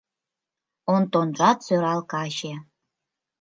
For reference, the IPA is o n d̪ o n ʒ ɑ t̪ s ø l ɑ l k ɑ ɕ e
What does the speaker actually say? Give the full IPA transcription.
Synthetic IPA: o n t̪ o n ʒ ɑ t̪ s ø ɾ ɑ l k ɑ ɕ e